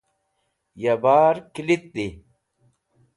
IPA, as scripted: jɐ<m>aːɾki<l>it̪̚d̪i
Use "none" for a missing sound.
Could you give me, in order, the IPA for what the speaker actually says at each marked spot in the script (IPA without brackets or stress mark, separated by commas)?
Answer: b, l